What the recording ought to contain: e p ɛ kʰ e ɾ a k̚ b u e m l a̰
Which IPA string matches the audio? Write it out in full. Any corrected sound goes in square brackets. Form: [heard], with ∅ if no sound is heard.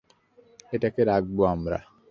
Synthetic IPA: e [t] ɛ [k] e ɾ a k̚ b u [a] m [ɾ] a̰